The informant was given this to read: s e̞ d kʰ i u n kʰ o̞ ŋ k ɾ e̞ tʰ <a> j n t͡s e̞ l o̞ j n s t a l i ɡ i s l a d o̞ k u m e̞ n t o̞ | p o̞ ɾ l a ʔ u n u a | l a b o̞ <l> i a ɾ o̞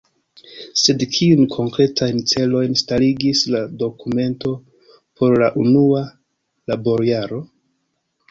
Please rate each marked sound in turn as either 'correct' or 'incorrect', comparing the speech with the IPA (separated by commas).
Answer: correct, incorrect